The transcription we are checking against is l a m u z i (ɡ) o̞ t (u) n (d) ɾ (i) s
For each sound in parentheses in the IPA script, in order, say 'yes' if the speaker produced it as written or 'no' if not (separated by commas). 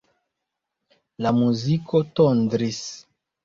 no, no, yes, yes